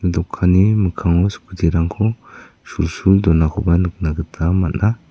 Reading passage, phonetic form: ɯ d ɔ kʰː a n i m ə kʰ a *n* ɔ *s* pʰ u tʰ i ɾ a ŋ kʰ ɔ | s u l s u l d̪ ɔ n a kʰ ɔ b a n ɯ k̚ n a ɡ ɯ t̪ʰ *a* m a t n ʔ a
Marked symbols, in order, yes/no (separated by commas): no, yes, yes